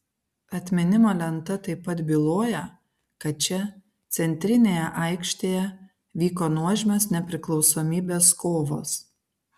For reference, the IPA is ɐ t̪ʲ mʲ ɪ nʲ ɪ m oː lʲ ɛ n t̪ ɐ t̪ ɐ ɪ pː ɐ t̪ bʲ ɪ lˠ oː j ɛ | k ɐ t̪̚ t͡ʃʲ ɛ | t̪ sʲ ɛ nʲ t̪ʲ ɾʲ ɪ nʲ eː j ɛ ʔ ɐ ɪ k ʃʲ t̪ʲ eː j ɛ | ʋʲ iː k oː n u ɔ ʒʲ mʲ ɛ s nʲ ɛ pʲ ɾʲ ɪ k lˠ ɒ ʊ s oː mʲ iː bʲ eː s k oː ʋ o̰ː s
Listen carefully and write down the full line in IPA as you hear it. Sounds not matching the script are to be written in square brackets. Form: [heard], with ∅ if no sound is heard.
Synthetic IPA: ɐ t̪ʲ mʲ ɪ nʲ ɪ m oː lʲ ɛ n t̪ ɐ t̪ ɐ ɪ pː ɐ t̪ bʲ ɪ lˠ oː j ɛ | k ɐ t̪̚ t͡ʃʲ ɛ | t̪ sʲ ɛ nʲ t̪ʲ ɾʲ ɪ nʲ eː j ɛ ʔ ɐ ɪ k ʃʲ t̪ʲ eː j ɛ | ʋʲ iː k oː n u ɔ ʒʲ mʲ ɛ s nʲ ɛ pʲ ɾʲ ɪ k lˠ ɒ ʊ s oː mʲ iː bʲ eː s k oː ʋ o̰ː s

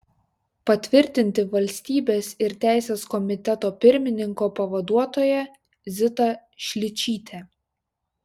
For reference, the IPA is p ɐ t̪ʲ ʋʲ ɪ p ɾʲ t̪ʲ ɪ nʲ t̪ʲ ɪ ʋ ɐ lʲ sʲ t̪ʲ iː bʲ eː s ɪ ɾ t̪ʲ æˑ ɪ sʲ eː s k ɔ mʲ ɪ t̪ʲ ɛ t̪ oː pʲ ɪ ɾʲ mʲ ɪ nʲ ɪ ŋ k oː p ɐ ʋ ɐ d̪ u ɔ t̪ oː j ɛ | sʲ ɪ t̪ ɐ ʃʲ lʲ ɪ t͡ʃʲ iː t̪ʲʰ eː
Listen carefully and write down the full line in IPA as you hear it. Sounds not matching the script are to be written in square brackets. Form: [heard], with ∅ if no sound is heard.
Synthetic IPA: p ɐ t̪ʲ ʋʲ ɪ [∅] ɾʲ t̪ʲ ɪ nʲ t̪ʲ ɪ ʋ ɐ lʲ sʲ t̪ʲ iː bʲ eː s ɪ ɾ t̪ʲ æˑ ɪ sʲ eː s k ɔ mʲ ɪ t̪ʲ ɛ t̪ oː pʲ ɪ ɾʲ mʲ ɪ nʲ ɪ ŋ k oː p ɐ ʋ ɐ d̪ u ɔ t̪ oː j ɛ | [zʲ] ɪ t̪ ɐ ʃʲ lʲ ɪ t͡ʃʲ iː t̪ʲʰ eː

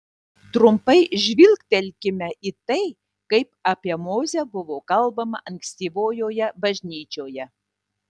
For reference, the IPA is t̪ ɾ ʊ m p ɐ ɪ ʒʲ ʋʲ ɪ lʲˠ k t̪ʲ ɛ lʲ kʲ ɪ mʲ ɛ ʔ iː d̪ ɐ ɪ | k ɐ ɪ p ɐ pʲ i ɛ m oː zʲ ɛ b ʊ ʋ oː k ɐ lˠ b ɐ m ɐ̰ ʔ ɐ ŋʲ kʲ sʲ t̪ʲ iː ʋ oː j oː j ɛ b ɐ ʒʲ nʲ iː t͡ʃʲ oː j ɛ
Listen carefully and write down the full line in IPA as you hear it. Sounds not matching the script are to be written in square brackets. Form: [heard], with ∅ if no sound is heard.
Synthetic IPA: t̪ ɾ ʊ m p ɐ ɪ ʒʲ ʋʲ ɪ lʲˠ k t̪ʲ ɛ lʲ kʲ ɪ mʲ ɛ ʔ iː [t̪] ɐ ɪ | k ɐ ɪ p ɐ pʲ i ɛ m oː zʲ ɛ b ʊ ʋ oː k ɐ lˠ b ɐ m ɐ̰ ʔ ɐ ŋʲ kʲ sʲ t̪ʲ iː ʋ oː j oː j ɛ b ɐ ʒʲ nʲ iː t͡ʃʲ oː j ɛ

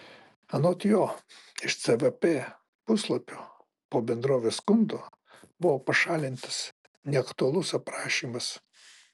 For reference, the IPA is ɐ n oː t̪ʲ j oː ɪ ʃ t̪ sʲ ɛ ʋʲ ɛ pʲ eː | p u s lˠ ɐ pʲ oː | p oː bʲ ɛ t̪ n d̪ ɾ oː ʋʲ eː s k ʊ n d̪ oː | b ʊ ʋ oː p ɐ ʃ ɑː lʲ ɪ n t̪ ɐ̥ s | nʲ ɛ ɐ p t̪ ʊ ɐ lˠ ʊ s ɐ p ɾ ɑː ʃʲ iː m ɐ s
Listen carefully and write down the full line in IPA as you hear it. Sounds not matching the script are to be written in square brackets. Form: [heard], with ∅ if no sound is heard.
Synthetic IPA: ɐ n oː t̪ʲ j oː ɪ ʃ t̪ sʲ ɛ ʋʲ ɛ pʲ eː | p [ʊ] s lˠ ɐ pʲ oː | p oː bʲ ɛ [∅] n d̪ ɾ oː ʋʲ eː s k ʊ n d̪ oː | b ʊ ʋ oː p ɐ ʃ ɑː lʲ ɪ n t̪ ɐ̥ s | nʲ ɛ ɐ [k] t̪ ʊ ɐ lˠ ʊ s ɐ p ɾ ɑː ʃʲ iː m ɐ s

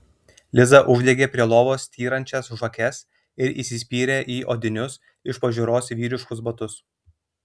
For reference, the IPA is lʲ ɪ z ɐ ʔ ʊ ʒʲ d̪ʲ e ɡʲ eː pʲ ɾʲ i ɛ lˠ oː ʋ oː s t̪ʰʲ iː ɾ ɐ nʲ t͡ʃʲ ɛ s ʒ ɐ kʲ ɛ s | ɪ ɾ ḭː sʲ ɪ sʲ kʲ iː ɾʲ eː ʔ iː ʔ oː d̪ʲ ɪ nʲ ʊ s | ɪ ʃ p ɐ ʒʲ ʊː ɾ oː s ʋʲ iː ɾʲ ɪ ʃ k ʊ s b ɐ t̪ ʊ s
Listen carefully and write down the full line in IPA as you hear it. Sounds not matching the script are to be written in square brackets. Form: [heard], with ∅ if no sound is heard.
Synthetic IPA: lʲ ɪ z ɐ ʔ ʊ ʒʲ d̪ʲ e ɡʲ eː pʲ ɾʲ i ɛ lˠ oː ʋ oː s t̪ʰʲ iː ɾ ɐ nʲ t͡ʃʲ ɛ s ʒ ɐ kʲ ɛ s | ɪ ɾ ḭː sʲ ɪ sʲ [pʲ] iː ɾʲ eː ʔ iː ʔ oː d̪ʲ ɪ nʲ ʊ s | ɪ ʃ p ɐ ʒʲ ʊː ɾ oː s ʋʲ iː ɾʲ ɪ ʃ k ʊ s b ɐ t̪ ʊ s

